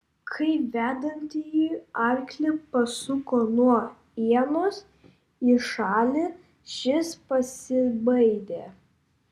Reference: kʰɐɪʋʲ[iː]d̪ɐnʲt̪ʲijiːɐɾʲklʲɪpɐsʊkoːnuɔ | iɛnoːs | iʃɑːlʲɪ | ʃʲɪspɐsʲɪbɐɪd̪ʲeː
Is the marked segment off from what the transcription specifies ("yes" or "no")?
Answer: yes